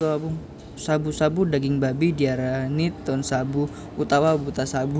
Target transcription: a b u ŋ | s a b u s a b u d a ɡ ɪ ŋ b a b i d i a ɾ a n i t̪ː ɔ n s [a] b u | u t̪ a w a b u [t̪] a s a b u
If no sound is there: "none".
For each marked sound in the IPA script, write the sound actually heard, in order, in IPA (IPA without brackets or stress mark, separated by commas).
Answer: a, t̪